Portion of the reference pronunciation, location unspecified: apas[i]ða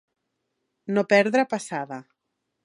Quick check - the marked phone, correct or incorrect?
incorrect